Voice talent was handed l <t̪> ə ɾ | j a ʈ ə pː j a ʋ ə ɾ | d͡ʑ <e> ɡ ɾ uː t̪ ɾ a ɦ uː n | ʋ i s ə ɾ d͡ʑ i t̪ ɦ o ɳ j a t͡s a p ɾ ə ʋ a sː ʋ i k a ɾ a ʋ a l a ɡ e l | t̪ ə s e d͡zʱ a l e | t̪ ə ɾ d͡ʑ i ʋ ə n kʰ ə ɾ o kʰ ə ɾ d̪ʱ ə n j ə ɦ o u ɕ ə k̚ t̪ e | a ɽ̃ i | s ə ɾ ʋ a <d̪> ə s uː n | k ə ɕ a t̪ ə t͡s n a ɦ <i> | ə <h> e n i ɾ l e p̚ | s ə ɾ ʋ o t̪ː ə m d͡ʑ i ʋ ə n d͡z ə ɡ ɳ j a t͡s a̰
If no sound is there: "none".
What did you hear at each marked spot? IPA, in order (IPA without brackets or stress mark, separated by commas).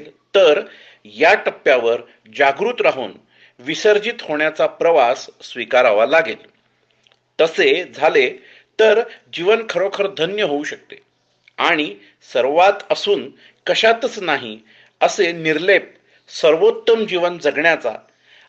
t̪, a, t̪, i, s